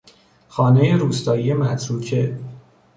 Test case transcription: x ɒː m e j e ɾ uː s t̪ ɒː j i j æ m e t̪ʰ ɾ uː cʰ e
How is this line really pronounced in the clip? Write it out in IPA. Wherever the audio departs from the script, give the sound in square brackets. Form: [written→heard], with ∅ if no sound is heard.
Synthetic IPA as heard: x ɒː [m→n] e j e ɾ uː s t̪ ɒː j i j [æ→e] m [e→æ] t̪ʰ ɾ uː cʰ e